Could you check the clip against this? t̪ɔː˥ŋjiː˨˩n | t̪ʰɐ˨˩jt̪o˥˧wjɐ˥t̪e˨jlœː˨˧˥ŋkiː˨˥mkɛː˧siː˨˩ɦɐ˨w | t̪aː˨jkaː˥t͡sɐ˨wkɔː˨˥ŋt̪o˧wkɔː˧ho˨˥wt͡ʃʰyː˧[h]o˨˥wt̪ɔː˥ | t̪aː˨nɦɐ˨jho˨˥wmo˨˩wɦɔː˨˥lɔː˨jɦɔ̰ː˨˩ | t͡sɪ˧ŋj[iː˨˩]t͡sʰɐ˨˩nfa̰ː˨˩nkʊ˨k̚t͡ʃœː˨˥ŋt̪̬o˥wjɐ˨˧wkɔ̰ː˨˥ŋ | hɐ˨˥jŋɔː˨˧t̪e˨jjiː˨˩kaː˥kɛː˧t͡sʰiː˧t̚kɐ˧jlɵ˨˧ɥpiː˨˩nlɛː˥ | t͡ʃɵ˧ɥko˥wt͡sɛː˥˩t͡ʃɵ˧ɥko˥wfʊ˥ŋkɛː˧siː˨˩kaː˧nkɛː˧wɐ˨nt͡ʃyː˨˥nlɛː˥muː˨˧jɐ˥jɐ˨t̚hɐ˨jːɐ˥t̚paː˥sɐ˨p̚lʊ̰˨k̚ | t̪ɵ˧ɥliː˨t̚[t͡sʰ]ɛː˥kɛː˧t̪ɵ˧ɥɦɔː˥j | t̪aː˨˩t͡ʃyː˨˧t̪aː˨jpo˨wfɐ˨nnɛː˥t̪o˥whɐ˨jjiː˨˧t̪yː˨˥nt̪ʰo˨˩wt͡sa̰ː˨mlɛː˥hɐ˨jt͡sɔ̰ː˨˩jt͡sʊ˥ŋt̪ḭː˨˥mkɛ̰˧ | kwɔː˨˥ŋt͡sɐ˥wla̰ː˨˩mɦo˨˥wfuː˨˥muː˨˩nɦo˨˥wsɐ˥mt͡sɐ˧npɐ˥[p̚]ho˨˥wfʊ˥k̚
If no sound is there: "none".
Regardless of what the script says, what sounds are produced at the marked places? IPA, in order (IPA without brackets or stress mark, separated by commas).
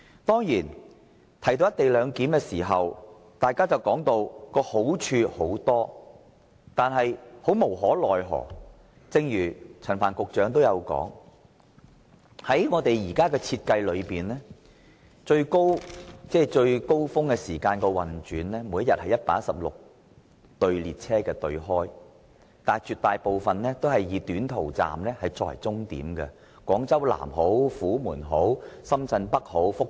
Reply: h, yː˨˩, t͡sʰ, k̚